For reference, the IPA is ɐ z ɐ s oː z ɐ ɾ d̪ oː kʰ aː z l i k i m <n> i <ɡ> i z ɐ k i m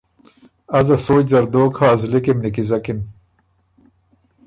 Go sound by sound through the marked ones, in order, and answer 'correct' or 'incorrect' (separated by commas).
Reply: correct, incorrect